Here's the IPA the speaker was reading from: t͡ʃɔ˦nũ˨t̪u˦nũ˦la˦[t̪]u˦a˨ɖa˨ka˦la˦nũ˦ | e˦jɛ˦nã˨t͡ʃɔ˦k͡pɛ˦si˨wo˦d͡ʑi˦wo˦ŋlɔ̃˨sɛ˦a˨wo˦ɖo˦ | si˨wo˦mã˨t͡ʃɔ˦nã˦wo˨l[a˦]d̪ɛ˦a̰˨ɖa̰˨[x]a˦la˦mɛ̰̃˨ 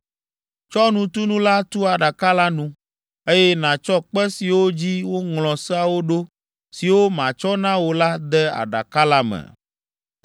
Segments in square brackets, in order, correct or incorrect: correct, correct, incorrect: k

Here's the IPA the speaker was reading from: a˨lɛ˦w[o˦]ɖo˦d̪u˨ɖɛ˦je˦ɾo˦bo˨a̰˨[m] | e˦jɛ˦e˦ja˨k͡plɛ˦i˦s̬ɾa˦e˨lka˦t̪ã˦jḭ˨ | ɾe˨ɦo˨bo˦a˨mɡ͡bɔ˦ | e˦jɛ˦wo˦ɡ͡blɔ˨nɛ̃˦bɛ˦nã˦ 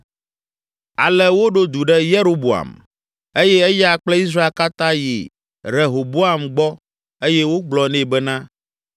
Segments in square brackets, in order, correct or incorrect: correct, correct

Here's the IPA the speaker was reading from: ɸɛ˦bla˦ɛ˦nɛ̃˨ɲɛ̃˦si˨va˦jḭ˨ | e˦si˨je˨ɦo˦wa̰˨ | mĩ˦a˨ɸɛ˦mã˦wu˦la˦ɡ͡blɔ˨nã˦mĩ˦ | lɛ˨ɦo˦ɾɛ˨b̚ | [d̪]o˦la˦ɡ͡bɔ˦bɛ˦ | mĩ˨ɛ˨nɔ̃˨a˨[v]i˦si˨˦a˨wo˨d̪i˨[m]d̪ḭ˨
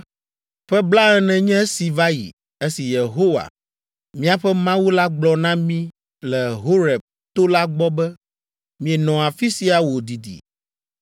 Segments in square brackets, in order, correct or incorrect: incorrect: t̪, incorrect: f, incorrect: none

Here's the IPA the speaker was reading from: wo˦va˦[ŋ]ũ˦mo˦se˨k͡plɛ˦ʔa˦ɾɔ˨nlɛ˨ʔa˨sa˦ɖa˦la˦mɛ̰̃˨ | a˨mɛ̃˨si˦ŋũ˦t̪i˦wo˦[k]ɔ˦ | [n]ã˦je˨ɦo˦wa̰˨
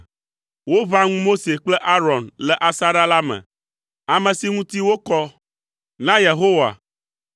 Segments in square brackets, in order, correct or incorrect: correct, correct, correct

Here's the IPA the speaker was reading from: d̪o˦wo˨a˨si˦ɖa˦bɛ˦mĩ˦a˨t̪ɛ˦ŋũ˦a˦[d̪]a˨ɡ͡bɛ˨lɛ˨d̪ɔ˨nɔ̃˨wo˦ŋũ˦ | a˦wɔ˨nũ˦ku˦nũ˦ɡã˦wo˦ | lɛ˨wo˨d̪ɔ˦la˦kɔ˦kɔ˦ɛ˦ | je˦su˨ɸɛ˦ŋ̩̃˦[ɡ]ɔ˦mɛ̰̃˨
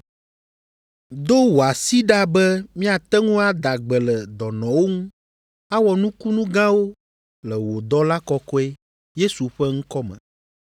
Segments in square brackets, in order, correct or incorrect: correct, incorrect: k

